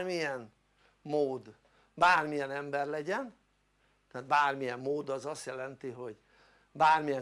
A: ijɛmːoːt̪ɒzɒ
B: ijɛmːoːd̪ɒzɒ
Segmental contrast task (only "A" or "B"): B